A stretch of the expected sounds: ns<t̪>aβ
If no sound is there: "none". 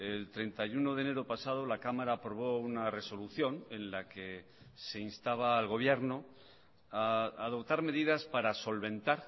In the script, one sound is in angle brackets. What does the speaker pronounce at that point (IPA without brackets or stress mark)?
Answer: t̪